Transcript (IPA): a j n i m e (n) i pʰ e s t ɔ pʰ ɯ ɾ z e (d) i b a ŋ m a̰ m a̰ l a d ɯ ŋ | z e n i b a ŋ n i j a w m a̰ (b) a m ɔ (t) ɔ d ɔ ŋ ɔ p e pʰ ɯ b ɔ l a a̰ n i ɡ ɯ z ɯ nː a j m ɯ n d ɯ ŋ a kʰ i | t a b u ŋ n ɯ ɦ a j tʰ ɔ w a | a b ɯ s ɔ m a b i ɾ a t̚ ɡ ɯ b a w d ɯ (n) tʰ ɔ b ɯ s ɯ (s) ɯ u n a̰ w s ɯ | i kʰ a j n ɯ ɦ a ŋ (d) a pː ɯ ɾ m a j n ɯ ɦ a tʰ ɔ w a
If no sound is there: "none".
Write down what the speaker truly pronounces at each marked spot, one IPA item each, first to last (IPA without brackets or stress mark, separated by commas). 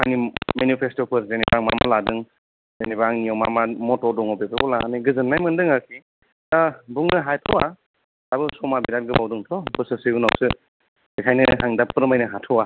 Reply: n, n, m, t, ŋ, s, d